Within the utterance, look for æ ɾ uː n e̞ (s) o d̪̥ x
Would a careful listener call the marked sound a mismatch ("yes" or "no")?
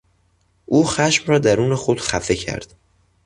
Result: yes